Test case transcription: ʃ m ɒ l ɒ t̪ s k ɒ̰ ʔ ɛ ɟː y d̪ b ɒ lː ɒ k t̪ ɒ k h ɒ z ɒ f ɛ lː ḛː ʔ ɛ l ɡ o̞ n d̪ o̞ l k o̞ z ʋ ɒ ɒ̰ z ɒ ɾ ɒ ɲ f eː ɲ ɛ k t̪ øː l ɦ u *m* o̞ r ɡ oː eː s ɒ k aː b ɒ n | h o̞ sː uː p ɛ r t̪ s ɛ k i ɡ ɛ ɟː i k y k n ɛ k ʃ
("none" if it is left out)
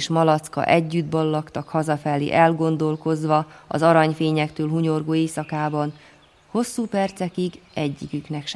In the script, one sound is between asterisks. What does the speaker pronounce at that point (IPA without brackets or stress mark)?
ɲ